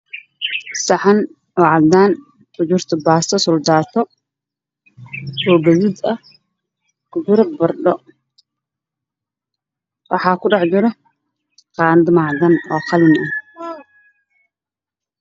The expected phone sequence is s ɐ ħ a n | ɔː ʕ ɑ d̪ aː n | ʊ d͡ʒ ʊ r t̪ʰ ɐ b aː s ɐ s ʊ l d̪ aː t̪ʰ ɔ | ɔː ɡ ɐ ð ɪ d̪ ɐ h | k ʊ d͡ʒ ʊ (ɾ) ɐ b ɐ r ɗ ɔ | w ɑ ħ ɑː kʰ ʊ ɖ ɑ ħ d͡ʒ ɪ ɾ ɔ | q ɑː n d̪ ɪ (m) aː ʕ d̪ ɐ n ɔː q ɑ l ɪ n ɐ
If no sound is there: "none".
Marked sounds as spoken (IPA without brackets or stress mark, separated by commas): ɾ, m